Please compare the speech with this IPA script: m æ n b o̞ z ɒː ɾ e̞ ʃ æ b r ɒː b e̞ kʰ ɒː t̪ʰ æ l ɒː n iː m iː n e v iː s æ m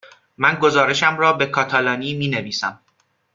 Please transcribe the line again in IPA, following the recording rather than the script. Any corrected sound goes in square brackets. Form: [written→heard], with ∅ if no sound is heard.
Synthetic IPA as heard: m æ n [b→ɡ] o̞ z ɒː ɾ e̞ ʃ æ [b→m] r ɒː b e̞ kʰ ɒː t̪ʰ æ l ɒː n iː m iː n e v iː s æ m